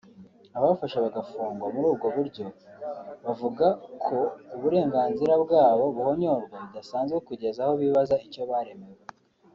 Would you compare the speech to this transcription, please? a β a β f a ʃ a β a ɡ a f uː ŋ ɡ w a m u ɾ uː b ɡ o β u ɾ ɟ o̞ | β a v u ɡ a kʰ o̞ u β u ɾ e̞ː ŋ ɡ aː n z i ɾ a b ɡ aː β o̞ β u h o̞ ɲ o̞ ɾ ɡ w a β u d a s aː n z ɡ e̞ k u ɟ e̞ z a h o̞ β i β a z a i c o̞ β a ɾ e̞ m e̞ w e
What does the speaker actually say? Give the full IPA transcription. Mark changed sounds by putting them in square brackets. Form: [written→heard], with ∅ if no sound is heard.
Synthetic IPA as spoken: a β a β f a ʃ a β a ɡ a f uː ŋ ɡ w a m u ɾ uː b ɡ o β u ɾ ɟ o̞ | β a v u ɡ a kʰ o̞ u β u ɾ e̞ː ŋ ɡ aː n z i ɾ a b ɡ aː β o̞ β u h o̞ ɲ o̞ ɾ ɡ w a β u d a s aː n z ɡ e̞ k u ɟ e̞ z a h o̞ β i β a z a i c o̞ β a ɾ e̞ m e̞ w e